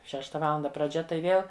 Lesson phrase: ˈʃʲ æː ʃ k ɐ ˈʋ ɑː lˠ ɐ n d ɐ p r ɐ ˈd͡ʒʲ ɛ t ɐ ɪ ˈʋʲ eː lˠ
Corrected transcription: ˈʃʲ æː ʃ t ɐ ˈʋ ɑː lˠ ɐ n d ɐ p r ɐ ˈd͡ʒʲ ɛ t ɐ ɪ ˈʋʲ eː lˠ